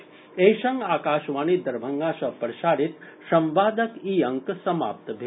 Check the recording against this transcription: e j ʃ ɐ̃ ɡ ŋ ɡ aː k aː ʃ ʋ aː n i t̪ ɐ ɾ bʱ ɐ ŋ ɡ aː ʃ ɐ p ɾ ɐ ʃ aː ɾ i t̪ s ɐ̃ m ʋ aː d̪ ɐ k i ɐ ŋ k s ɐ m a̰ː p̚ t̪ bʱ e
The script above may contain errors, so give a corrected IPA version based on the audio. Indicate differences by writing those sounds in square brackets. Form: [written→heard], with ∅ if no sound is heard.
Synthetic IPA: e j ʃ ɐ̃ [ɡ→∅] ŋ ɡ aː k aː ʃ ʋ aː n i [t̪→d̪] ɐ ɾ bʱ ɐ ŋ ɡ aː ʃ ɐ p ɾ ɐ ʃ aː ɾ i t̪ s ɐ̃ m ʋ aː d̪ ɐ k i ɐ ŋ k s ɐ m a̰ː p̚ t̪ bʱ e